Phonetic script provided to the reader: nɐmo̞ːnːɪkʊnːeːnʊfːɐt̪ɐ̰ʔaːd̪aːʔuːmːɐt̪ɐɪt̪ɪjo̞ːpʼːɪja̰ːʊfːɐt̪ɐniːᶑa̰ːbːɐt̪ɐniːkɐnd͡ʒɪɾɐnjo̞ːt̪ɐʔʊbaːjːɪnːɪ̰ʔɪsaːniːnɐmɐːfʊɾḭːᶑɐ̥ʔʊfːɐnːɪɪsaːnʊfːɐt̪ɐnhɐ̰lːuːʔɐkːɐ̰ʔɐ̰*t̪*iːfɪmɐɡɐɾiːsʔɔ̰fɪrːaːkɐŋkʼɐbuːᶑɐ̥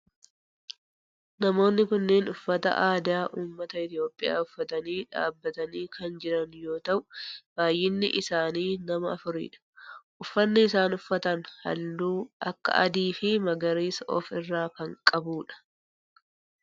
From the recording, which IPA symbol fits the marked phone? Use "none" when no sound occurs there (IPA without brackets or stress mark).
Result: d̪